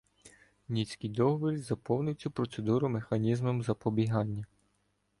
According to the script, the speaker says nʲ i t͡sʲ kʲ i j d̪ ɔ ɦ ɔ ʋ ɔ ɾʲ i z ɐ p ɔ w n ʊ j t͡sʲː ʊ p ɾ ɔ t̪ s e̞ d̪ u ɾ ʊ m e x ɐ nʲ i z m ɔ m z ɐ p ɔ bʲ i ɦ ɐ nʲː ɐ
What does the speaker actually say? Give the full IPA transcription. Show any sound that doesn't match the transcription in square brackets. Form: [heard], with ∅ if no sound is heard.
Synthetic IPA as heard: nʲ i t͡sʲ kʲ i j d̪ ɔ ɦ ɔ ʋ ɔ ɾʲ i z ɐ p ɔ w n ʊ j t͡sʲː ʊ p ɾ ɔ t̪ s e̞ d̪ u ɾ ʊ m e x ɐ nʲ i z m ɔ m z ɐ p ɔ bʲ i ɦ [ɑ] nʲː ɐ

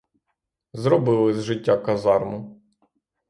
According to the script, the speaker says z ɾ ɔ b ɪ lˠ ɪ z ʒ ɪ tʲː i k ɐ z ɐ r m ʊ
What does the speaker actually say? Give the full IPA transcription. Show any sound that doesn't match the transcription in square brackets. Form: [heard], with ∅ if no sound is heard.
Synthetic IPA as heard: z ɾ ɔ b ɪ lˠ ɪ z ʒ ɪ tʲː [a] k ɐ z [ɑ] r m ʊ

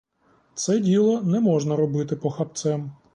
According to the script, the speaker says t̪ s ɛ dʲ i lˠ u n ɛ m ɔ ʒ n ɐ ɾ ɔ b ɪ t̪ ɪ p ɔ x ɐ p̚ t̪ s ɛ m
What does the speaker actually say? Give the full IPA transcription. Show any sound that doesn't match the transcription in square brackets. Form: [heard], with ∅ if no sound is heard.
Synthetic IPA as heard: t̪ s ɛ dʲ i lˠ [ɔ] n ɛ m ɔ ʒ n ɐ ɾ ɔ b ɪ t̪ ɪ p ɔ x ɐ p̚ t̪ s ɛ m

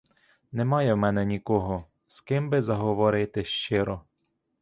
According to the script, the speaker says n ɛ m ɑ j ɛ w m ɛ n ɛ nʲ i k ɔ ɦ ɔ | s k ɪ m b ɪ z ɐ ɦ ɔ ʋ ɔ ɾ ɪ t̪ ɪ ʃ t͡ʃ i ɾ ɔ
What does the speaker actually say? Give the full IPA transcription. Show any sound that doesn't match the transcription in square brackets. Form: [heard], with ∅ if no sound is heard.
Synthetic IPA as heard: n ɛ m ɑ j ɛ w m ɛ n ɛ nʲ i k ɔ ɦ ɔ | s k ɪ m b ɪ z ɐ ɦ ɔ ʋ ɔ ɾ ɪ t̪ ɪ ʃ t͡ʃ [ɪ] ɾ ɔ

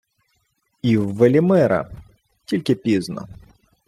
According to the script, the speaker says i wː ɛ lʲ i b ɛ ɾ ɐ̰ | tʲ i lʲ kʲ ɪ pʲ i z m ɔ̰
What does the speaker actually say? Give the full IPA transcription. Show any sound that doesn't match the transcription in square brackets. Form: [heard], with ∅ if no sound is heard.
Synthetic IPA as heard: i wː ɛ lʲ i [m] ɛ ɾ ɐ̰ | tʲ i lʲ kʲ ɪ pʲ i z [n] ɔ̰

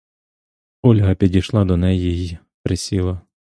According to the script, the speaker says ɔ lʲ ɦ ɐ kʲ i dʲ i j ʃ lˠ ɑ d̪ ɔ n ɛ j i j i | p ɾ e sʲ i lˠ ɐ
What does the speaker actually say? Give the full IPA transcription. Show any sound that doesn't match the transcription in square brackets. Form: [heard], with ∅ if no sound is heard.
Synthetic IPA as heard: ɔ lʲ ɦ ɐ [pʲ] i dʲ i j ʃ lˠ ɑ d̪ ɔ n ɛ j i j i | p ɾ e sʲ i lˠ ɐ

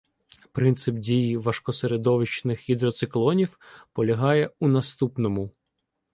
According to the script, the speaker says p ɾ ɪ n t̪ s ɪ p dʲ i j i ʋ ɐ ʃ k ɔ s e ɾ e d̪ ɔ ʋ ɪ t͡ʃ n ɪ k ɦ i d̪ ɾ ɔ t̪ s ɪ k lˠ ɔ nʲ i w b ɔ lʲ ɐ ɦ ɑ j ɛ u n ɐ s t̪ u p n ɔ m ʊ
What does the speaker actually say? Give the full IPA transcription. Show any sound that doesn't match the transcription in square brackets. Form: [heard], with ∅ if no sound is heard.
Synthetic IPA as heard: p ɾ ɪ n t̪ s ɪ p dʲ i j i ʋ ɐ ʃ k ɔ s e ɾ e d̪ ɔ ʋ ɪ t͡ʃ n ɪ [x] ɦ i d̪ ɾ ɔ t̪ s ɪ k lˠ ɔ nʲ i w [p] ɔ lʲ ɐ ɦ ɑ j ɛ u n ɐ s t̪ u p n ɔ m ʊ

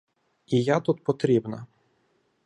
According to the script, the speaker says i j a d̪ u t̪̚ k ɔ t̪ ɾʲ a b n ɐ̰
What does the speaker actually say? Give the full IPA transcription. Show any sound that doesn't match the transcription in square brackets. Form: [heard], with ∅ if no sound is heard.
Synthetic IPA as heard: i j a [t̪] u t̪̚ [p] ɔ t̪ ɾʲ [i] b n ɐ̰

